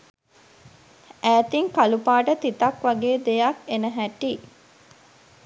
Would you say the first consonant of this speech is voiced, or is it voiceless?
voiceless